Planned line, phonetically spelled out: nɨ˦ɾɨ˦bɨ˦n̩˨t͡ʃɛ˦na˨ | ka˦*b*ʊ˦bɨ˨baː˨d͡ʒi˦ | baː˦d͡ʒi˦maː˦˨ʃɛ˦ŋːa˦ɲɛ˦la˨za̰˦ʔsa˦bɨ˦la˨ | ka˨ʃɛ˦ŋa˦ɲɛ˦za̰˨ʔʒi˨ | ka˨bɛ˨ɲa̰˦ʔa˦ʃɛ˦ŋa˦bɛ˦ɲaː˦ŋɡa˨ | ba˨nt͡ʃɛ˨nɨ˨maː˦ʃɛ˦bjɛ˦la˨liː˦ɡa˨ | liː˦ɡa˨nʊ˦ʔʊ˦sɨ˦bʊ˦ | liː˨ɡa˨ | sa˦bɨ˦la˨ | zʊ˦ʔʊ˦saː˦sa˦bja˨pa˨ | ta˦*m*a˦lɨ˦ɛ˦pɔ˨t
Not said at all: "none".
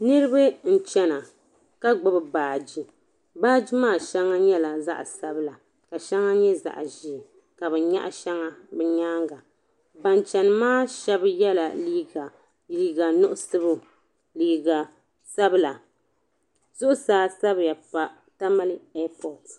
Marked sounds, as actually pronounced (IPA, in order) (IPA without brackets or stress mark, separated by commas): ɡ͡b, m